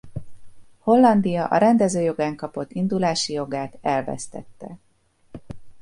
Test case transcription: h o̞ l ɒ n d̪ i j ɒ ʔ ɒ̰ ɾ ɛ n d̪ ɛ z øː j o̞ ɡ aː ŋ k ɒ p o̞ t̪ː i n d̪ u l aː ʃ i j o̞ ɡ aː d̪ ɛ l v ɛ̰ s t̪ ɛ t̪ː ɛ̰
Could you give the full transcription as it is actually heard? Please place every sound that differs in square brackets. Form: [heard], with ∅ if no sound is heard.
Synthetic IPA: h o̞ [lː] ɒ n d̪ i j ɒ ʔ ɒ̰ ɾ ɛ n d̪ ɛ z øː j o̞ ɡ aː ŋ k ɒ p o̞ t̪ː i n d̪ u l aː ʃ i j o̞ ɡ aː [t̪] ɛ l v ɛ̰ s t̪ ɛ t̪ː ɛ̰